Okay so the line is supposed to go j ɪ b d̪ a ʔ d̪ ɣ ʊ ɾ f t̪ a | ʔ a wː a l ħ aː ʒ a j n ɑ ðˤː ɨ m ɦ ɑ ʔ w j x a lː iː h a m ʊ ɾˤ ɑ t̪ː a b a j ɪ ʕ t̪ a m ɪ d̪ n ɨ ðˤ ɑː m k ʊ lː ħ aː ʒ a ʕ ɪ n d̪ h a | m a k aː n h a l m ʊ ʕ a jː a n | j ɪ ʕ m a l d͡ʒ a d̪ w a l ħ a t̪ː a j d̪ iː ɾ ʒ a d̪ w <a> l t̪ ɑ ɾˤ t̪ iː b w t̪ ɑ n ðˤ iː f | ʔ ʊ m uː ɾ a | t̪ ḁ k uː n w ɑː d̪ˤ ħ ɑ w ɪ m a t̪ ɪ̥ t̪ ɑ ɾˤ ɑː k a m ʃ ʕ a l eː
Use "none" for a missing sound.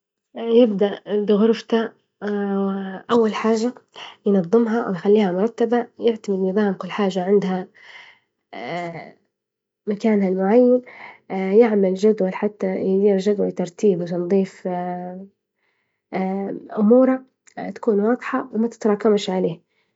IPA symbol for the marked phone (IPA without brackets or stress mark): a